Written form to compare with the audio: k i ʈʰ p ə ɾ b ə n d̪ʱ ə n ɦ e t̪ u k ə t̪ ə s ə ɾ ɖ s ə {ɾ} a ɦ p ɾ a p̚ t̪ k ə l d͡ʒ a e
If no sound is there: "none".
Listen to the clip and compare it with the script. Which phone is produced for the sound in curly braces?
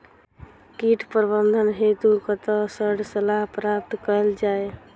l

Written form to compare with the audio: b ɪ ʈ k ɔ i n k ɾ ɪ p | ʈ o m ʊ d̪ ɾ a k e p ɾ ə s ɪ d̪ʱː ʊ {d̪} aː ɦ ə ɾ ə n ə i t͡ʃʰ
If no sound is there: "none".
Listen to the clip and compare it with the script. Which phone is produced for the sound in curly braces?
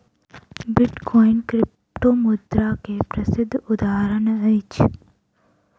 d̪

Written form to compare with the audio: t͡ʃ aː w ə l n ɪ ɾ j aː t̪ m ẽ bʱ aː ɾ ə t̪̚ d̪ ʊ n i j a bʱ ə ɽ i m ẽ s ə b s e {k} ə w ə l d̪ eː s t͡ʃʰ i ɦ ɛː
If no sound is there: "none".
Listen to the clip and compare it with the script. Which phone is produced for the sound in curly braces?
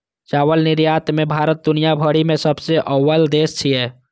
ʔ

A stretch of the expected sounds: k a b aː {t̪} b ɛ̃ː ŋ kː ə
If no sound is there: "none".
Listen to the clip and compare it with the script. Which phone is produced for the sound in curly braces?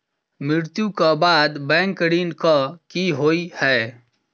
d̪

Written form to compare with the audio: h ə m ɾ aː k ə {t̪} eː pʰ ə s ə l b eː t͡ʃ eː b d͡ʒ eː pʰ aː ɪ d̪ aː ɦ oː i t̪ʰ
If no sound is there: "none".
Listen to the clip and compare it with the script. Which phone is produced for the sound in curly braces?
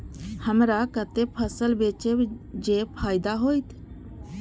t̪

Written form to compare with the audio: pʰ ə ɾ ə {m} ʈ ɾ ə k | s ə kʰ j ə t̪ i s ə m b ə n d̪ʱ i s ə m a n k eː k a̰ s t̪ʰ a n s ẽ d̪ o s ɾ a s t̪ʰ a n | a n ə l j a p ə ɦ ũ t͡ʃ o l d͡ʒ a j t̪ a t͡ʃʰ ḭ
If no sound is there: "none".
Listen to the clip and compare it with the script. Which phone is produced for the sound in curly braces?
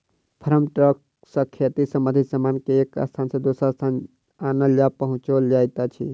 m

